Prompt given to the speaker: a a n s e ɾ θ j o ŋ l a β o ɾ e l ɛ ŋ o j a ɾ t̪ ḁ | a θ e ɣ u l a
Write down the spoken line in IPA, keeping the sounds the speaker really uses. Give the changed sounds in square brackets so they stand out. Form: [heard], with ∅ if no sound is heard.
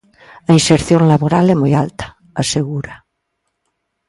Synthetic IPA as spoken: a [i] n s e ɾ θ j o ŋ l a β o ɾ [a] l ɛ [m] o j a [l] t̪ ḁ | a [s] e ɣ u [ɾ] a